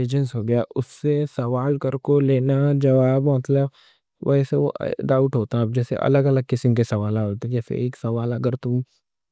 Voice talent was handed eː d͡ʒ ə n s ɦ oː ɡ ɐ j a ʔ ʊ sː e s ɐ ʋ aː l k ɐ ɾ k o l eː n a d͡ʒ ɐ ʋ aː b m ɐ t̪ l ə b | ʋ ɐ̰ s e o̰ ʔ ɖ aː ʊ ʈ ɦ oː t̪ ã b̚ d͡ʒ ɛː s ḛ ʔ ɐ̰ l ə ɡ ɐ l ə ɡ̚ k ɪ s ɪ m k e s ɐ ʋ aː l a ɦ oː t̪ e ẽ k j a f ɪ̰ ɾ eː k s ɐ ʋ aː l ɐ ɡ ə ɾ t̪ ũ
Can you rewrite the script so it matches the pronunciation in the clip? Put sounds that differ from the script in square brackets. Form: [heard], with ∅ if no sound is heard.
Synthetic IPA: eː d͡ʒ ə n s ɦ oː ɡ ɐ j a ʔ ʊ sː e s ɐ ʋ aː l k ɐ ɾ k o l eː n a d͡ʒ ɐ ʋ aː b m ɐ t̪ l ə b | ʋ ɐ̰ s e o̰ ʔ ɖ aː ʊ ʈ ɦ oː t̪ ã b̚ d͡ʒ ɛː s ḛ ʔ ɐ̰ l ə ɡ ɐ l ə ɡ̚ k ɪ s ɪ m k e s ɐ ʋ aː l a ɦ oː t̪ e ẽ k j a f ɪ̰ ɾ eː k s ɐ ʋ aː l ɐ ɡ ə ɾ t̪ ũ